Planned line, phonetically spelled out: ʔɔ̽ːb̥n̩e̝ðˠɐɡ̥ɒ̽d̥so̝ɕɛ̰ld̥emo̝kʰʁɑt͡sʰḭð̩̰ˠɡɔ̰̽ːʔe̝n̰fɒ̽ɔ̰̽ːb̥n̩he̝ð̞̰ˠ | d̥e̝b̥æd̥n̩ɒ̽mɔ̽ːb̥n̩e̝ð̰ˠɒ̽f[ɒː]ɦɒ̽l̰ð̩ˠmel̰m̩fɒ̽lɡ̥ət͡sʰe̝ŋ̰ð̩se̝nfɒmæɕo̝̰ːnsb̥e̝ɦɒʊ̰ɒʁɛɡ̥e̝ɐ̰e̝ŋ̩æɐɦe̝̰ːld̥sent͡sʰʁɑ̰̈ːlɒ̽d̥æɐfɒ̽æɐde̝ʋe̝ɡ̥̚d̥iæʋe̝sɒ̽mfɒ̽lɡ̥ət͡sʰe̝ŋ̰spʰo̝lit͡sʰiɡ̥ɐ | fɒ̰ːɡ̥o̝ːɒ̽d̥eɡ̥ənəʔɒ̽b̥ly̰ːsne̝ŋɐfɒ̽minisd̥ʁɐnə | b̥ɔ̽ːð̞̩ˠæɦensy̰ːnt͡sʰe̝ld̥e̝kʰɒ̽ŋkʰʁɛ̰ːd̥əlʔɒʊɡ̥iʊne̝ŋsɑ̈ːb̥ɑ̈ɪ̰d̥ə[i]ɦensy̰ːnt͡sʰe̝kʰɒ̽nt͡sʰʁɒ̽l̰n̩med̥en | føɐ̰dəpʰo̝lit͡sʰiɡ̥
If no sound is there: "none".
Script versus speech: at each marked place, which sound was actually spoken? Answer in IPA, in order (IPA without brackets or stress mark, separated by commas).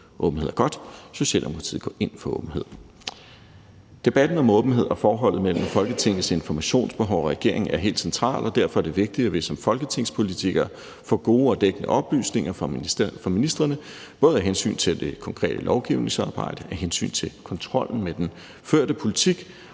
ɒː, æ